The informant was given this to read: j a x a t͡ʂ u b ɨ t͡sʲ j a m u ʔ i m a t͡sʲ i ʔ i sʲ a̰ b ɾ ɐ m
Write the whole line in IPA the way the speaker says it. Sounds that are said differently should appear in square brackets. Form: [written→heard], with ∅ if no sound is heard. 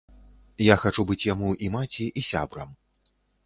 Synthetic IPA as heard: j a x a t͡ʂ u b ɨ t͡sʲ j a m u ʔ i m a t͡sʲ i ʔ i sʲ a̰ b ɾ ɐ m